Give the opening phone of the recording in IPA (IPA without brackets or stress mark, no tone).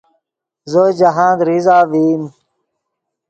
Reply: z